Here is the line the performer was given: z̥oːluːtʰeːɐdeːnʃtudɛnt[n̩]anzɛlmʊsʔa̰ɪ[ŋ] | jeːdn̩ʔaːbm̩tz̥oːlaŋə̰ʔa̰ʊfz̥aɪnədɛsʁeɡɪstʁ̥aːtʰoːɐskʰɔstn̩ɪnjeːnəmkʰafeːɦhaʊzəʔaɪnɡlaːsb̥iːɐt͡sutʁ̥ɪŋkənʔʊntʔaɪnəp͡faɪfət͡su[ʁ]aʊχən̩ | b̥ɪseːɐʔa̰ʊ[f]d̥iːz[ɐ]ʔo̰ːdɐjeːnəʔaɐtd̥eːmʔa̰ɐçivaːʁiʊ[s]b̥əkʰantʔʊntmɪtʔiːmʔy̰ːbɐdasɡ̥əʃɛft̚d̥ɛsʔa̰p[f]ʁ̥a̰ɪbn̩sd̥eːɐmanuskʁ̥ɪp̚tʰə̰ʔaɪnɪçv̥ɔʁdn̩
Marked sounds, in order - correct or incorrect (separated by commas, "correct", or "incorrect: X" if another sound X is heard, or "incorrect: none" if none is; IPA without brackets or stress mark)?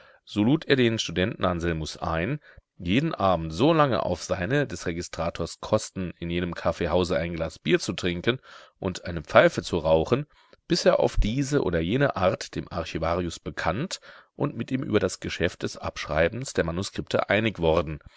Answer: correct, incorrect: n, correct, correct, incorrect: ə, correct, incorrect: ʃ